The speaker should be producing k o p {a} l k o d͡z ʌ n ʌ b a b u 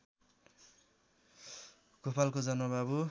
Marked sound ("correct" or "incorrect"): correct